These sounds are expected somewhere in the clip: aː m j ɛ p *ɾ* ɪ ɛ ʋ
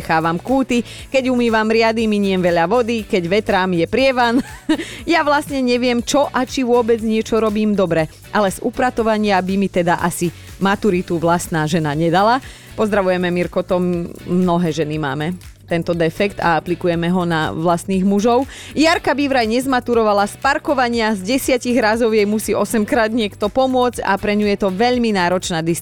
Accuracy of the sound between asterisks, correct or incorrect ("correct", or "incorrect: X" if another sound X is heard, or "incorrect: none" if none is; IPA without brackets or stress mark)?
correct